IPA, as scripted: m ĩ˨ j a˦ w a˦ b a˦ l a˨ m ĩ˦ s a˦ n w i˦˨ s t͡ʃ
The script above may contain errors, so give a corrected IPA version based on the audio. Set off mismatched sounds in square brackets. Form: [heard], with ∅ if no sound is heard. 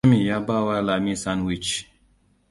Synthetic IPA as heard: m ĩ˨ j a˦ [b] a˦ [w] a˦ l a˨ m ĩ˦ s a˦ n w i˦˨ [∅] t͡ʃ